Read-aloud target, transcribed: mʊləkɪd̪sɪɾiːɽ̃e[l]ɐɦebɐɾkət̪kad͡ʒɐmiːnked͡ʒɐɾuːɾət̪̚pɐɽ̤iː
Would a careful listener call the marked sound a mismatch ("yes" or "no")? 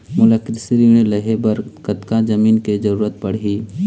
no